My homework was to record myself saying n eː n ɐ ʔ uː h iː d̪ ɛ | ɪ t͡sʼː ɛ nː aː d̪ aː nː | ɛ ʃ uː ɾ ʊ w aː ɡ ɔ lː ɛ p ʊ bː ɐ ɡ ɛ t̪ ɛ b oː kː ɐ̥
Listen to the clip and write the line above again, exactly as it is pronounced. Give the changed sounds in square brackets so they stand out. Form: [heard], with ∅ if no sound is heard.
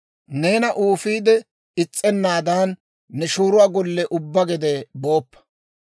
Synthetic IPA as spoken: n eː n ɐ ʔ uː [f] iː d̪ ɛ | ɪ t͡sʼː ɛ nː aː d̪ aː nː | ɛ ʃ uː ɾ ʊ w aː ɡ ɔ lː ɛ [ʔ] ʊ bː ɐ ɡ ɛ [d̪] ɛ b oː [pː] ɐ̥